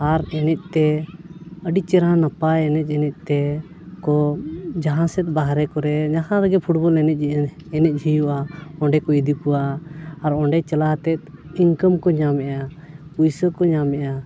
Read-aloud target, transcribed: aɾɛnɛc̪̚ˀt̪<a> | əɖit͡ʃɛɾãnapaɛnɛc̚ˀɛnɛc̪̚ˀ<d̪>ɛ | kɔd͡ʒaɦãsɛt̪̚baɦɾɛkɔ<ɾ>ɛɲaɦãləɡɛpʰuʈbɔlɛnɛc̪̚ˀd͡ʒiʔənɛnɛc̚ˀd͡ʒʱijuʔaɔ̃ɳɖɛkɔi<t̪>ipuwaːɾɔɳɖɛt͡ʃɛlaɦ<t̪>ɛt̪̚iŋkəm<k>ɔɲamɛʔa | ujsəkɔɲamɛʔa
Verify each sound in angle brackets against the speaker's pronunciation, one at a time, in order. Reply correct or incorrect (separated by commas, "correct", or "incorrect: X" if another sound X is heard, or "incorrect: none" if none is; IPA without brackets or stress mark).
incorrect: ɛ, incorrect: t̪, correct, incorrect: d̪, correct, correct